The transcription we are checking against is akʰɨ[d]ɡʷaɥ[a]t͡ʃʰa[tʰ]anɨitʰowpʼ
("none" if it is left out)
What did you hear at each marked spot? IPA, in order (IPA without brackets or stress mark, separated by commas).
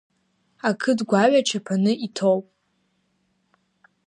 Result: d, a, pʰ